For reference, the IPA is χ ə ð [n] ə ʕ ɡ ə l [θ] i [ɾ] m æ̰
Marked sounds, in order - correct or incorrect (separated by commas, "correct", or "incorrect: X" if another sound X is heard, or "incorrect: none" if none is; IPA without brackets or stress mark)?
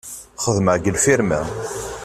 incorrect: m, incorrect: f, correct